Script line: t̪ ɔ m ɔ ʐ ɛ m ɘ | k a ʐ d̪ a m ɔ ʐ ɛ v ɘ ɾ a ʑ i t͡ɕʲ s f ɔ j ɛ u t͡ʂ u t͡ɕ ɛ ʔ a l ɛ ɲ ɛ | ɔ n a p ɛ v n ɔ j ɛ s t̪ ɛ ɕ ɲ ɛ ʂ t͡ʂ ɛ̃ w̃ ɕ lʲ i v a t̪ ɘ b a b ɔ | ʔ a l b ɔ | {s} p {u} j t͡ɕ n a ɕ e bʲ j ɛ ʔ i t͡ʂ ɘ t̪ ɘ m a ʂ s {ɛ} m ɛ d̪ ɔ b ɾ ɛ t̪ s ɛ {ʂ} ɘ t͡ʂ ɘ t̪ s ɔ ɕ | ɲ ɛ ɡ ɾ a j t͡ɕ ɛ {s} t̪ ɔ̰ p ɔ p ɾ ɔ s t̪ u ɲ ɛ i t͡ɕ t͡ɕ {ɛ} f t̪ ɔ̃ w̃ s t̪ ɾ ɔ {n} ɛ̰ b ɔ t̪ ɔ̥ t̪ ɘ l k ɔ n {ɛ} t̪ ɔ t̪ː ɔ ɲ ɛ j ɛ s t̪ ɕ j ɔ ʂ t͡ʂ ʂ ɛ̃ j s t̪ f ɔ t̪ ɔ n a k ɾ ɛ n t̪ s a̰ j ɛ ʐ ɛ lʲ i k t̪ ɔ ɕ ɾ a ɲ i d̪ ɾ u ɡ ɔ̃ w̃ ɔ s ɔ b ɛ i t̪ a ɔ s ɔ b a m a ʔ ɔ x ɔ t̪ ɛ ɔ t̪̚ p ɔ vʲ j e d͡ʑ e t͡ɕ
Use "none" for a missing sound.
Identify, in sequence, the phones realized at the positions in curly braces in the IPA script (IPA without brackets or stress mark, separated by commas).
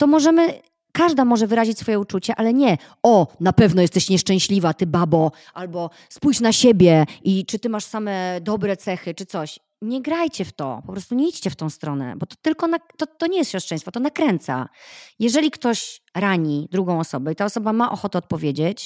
s, u, a, x, f, ɛ, n, a